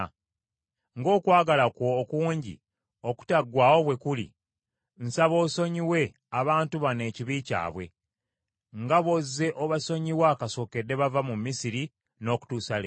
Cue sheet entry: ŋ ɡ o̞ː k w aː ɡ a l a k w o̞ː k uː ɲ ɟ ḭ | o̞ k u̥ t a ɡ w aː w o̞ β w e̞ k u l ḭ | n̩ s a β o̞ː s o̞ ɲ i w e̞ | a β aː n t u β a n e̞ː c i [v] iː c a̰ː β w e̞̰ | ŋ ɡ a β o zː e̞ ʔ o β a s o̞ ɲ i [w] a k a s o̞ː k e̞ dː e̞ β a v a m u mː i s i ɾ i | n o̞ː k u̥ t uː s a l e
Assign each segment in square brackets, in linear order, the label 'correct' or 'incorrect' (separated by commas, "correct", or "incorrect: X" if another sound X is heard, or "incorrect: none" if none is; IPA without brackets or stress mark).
incorrect: β, correct